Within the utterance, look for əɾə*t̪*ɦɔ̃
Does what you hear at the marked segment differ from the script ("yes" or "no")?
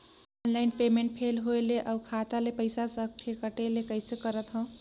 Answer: no